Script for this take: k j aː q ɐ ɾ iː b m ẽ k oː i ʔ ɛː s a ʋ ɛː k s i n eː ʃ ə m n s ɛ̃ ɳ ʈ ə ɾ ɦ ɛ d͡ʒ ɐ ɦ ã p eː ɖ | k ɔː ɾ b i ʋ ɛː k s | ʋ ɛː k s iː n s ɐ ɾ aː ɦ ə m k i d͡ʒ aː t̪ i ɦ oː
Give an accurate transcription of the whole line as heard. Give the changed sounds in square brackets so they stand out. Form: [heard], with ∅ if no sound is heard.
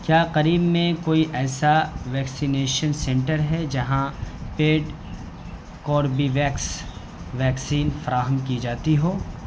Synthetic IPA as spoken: k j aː q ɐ ɾ iː b m ẽ k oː i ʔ ɛː s a ʋ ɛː k s i n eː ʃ ə [∅] n s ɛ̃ ɳ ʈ ə ɾ ɦ ɛ d͡ʒ ɐ ɦ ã p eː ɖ | k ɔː ɾ b i ʋ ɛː k s | ʋ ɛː k s iː n [f] ɐ ɾ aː ɦ ə m k i d͡ʒ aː t̪ i ɦ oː

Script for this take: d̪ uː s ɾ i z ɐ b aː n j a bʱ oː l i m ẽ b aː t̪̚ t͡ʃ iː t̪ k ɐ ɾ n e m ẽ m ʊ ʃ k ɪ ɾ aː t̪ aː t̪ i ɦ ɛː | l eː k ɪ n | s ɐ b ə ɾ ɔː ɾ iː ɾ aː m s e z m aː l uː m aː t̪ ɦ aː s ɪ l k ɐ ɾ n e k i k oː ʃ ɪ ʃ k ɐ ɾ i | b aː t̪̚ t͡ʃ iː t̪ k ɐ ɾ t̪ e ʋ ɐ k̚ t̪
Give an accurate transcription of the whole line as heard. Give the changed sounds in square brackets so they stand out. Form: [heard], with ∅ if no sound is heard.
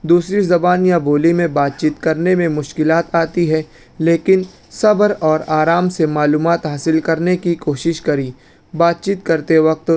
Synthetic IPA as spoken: d̪ uː s ɾ i z ɐ b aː n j a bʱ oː l i m ẽ b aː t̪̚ t͡ʃ iː t̪ k ɐ ɾ n e m ẽ m ʊ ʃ k ɪ [l] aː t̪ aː t̪ i ɦ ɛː | l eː k ɪ n | s ɐ b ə ɾ ɔː ɾ [aː] ɾ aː m s e [∅] m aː l uː m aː t̪ ɦ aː s ɪ l k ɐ ɾ n e k i k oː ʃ ɪ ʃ k ɐ ɾ i | b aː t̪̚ t͡ʃ iː t̪ k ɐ ɾ t̪ e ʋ ɐ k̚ t̪

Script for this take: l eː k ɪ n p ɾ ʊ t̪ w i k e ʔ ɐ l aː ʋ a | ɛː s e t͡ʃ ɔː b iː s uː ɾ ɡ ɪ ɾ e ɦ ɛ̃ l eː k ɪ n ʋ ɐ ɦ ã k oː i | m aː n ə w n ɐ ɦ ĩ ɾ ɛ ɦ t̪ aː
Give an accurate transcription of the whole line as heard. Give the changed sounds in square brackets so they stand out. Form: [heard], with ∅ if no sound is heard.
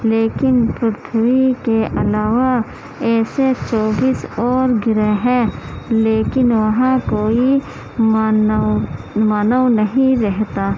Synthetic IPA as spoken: l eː k ɪ n p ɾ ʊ [t̪ʰ] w i k e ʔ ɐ l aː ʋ a | ɛː s e t͡ʃ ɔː b iː s [ɔː] ɾ ɡ ɪ ɾ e ɦ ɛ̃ l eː k ɪ n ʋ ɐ ɦ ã k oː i | m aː n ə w n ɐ ɦ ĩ ɾ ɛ ɦ t̪ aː

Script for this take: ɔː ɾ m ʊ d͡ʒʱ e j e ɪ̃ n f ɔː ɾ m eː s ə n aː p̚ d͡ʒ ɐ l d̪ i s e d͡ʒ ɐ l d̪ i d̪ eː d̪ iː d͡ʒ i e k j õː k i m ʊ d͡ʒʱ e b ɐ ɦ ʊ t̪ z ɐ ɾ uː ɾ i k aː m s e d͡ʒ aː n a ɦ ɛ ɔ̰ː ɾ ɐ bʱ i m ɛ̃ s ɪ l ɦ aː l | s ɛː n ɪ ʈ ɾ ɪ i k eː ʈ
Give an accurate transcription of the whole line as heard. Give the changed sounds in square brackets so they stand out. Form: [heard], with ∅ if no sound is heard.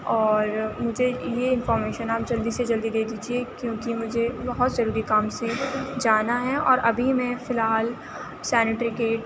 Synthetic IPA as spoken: ɔː ɾ m ʊ d͡ʒʱ e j e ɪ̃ n f ɔː ɾ m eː [ʃ] ə n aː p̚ d͡ʒ ɐ l d̪ i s e d͡ʒ ɐ l d̪ i d̪ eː d̪ iː d͡ʒ i e k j õː k i m ʊ d͡ʒʱ e b ɐ ɦ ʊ t̪ z ɐ ɾ uː ɾ i k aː m s e d͡ʒ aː n a ɦ ɛ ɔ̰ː ɾ ɐ bʱ i m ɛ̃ [f] ɪ l ɦ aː l | s ɛː n ɪ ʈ ɾ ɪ i k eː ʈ

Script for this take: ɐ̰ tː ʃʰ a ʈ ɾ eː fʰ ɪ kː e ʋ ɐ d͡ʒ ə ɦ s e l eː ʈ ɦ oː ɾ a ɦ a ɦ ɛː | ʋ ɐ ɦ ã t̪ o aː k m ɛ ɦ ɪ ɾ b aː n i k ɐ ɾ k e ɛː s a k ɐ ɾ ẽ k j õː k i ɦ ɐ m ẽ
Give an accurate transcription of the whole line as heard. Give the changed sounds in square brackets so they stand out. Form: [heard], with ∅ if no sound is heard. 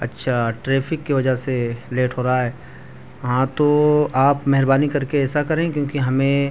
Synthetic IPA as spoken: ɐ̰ tː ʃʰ a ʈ ɾ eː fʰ ɪ kː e ʋ ɐ d͡ʒ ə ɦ s e l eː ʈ ɦ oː ɾ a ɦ a ɦ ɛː | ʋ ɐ ɦ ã t̪ o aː [p] m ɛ ɦ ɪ ɾ b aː n i k ɐ ɾ k e ɛː s a k ɐ ɾ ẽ k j õː k i ɦ ɐ m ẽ

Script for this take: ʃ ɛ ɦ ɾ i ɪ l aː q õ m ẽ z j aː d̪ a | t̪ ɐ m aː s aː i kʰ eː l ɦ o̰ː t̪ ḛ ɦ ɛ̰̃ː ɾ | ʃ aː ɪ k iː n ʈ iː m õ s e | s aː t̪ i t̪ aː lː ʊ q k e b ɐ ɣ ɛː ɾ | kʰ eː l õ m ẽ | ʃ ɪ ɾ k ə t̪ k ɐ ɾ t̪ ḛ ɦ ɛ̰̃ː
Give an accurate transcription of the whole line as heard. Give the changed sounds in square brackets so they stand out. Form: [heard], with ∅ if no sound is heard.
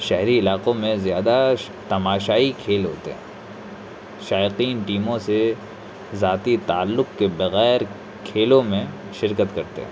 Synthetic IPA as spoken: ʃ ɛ ɦ ɾ i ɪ l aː q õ m ẽ z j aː d̪ a | t̪ ɐ m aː [ʃ] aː i kʰ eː l ɦ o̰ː t̪ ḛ ɦ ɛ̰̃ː [∅] | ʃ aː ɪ [q] iː n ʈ iː m õ s e | [z] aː t̪ i t̪ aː lː ʊ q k e b ɐ ɣ ɛː ɾ | kʰ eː l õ m ẽ | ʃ ɪ ɾ k ə t̪ k ɐ ɾ t̪ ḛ ɦ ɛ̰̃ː

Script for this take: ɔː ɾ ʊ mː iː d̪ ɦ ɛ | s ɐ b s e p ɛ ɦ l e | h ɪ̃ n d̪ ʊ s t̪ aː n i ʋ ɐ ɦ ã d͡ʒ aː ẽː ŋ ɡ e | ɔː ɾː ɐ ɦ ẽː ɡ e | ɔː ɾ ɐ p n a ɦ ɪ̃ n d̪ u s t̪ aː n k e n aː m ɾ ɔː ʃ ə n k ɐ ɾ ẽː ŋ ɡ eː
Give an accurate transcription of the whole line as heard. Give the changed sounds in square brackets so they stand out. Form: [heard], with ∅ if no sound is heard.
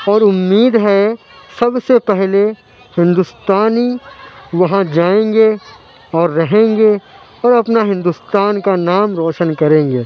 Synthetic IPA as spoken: ɔː ɾ ʊ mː iː d̪ ɦ ɛ | s ɐ b s e p ɛ ɦ l e | h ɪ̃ n d̪ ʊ s t̪ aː n i ʋ ɐ ɦ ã d͡ʒ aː ẽː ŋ ɡ e | ɔː ɾː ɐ ɦ ẽː ɡ e | ɔː ɾ ɐ p n a ɦ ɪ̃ n d̪ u s t̪ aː n k [a] n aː m ɾ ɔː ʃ ə n k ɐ ɾ ẽː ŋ ɡ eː

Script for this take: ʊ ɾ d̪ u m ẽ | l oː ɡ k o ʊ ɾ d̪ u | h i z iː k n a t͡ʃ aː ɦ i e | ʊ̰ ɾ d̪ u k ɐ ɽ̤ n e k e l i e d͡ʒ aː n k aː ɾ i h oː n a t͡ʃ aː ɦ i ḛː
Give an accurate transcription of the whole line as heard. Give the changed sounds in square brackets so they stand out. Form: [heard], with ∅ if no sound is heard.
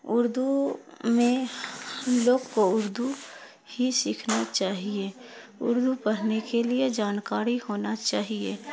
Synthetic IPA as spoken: ʊ ɾ d̪ u m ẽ | l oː ɡ k o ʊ ɾ d̪ u | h i [s] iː [kʰ] n a t͡ʃ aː ɦ i e | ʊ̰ ɾ d̪ u [p] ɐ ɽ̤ n e k e l i e d͡ʒ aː n k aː ɾ i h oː n a t͡ʃ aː ɦ i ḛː

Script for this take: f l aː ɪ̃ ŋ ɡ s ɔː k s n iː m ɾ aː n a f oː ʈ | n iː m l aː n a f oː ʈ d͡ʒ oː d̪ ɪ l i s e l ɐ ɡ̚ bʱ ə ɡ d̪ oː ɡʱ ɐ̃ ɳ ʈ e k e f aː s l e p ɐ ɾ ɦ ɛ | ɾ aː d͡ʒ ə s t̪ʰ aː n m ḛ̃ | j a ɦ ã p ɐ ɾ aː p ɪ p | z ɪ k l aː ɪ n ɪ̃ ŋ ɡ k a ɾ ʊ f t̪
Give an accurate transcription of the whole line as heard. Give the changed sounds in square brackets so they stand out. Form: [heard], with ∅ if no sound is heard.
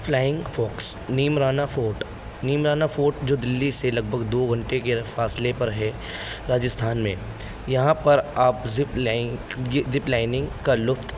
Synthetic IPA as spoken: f l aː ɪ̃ ŋ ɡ [f] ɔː k s n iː m ɾ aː n a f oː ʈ | n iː m [ɾ] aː n a f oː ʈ d͡ʒ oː d̪ ɪ [lː] i s e l ɐ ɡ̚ bʱ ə ɡ d̪ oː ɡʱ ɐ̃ ɳ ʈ e k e f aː s l e p ɐ ɾ ɦ ɛ | ɾ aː d͡ʒ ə s t̪ʰ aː n m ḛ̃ | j [ɐ] ɦ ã p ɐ ɾ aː p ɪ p | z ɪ [p] l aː ɪ n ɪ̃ ŋ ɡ k a [l] ʊ f t̪

